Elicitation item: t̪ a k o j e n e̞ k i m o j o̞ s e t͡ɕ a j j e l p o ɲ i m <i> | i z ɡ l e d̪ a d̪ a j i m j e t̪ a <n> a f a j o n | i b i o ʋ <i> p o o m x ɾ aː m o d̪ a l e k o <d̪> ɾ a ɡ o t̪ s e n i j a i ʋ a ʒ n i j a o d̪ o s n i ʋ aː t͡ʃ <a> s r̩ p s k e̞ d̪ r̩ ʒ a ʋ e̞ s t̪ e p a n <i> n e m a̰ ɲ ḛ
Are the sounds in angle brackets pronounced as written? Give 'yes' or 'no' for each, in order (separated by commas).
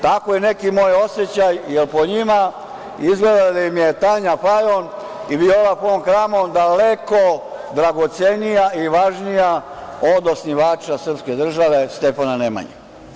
no, no, no, yes, yes, no